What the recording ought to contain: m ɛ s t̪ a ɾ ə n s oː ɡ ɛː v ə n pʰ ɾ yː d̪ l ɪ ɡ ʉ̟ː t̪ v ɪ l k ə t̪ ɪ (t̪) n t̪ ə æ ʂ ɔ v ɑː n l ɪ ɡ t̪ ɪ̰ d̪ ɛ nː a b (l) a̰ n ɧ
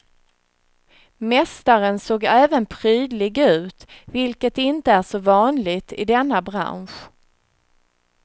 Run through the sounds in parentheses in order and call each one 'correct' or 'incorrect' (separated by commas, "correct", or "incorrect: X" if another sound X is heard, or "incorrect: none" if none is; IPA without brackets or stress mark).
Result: incorrect: none, incorrect: ɾ